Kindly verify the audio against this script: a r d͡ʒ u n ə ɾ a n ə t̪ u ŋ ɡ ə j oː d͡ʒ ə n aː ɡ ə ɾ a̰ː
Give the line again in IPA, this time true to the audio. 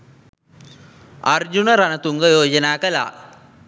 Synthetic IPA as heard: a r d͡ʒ u n ə ɾ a n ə t̪ u ŋ ɡ ə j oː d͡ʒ ə n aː k ə l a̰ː